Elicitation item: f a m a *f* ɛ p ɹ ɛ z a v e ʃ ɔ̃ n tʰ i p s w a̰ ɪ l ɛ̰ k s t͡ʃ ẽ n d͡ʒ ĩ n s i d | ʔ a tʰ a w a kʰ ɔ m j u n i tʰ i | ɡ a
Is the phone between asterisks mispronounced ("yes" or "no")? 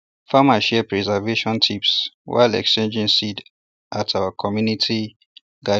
yes